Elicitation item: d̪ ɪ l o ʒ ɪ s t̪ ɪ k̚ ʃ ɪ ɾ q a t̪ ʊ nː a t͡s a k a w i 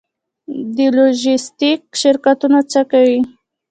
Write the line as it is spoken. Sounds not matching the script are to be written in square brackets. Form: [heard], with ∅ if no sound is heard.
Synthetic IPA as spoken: d̪ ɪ l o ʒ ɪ s t̪ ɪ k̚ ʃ ɪ ɾ [k] a t̪ ʊ [n] a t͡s a k a w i